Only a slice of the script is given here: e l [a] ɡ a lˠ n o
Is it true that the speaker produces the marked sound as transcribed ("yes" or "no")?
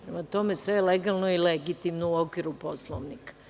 no